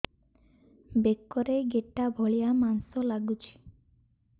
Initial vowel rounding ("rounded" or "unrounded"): unrounded